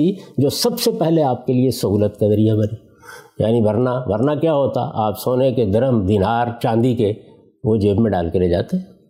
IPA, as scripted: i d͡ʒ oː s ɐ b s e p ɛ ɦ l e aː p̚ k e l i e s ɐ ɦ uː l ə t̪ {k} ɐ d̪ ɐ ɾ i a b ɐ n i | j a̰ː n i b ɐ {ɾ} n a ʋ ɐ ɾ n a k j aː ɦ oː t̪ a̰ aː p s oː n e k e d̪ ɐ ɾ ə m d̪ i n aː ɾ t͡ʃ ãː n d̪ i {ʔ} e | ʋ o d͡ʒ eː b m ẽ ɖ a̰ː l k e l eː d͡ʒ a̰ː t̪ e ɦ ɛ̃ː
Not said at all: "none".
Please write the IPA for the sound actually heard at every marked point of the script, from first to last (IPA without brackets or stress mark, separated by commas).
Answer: k, ɾ, k